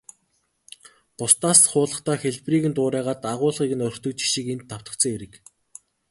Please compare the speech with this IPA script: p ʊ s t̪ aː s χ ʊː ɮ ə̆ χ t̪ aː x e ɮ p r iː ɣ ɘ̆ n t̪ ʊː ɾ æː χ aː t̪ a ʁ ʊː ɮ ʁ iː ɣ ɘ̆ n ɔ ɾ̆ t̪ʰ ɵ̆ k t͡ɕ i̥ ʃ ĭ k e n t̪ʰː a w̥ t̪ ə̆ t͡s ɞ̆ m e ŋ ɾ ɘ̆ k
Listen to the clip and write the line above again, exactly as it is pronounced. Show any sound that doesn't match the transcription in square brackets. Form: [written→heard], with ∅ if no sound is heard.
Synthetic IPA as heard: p ʊ s t̪ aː s χ ʊː ɮ ə̆ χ t̪ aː x e ɮ p r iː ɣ ɘ̆ n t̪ ʊː ɾ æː [χ→ʁ] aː t̪ a ʁ ʊː ɮ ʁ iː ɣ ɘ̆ n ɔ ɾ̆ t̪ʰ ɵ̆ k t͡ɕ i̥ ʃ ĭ k e n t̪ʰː a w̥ t̪ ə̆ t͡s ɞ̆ [m→ŋ] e [ŋ→∅] ɾ ɘ̆ k